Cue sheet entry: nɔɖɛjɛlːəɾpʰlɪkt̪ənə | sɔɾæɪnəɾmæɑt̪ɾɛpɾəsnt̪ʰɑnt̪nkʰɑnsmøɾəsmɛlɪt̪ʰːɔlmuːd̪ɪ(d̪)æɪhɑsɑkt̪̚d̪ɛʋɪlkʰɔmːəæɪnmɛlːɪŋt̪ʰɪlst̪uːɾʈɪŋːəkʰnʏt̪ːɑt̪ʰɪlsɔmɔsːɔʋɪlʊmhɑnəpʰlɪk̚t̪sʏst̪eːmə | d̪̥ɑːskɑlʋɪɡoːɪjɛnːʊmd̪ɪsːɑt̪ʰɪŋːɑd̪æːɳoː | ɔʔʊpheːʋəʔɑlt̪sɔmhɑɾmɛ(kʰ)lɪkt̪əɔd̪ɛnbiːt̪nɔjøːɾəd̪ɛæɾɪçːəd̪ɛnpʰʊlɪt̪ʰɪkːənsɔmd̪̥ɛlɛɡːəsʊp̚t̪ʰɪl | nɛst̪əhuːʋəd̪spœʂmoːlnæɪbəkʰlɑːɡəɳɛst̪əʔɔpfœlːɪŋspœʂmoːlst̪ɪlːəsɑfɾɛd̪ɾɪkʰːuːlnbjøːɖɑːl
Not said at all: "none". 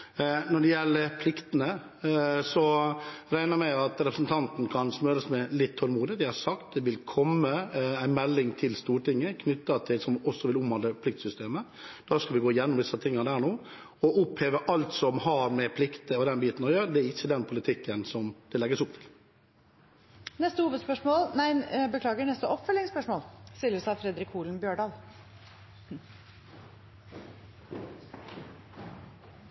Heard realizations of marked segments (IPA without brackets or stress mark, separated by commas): d̪, pʰ